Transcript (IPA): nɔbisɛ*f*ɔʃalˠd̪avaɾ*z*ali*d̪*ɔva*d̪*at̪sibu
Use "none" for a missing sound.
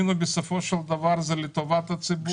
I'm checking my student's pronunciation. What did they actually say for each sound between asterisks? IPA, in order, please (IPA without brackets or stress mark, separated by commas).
f, z, t̪, t̪